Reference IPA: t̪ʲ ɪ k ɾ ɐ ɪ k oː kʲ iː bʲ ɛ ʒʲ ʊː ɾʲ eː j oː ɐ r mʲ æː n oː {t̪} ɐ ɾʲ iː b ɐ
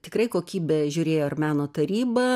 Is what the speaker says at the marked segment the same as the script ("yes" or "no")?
yes